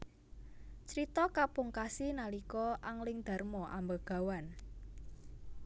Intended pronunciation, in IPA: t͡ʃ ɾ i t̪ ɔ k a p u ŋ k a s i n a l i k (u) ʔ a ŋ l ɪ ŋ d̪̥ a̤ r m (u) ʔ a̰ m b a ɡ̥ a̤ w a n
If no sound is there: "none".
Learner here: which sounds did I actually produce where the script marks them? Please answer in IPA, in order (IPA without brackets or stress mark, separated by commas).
ɔ, ɔ